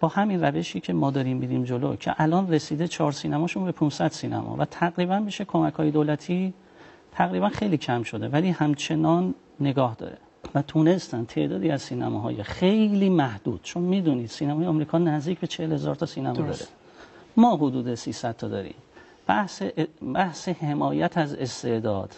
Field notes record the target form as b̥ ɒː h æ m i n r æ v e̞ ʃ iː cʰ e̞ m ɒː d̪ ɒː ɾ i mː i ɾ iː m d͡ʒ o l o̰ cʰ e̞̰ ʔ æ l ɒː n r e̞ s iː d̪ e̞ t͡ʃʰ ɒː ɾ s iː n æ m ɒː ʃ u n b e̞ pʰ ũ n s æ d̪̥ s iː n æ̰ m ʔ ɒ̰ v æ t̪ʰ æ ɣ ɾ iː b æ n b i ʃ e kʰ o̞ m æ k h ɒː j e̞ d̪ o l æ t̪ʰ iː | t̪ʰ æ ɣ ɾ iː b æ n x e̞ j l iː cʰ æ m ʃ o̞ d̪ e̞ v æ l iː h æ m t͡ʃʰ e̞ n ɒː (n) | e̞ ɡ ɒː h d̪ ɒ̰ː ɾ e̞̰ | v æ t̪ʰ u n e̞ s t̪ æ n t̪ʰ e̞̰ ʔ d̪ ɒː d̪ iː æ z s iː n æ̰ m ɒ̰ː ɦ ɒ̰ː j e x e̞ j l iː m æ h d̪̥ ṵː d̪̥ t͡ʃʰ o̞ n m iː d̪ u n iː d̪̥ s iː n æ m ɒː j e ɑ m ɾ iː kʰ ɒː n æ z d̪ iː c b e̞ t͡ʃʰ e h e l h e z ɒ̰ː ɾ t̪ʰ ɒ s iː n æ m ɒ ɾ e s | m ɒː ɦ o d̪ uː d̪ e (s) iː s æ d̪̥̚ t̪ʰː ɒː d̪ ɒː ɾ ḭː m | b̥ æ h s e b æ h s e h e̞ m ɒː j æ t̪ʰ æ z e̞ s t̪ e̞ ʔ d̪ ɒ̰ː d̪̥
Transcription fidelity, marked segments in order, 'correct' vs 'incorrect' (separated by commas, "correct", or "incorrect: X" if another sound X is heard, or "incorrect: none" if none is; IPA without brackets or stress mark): incorrect: nː, correct